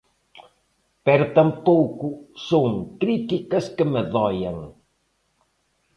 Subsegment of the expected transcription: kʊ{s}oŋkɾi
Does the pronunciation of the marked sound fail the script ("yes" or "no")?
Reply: no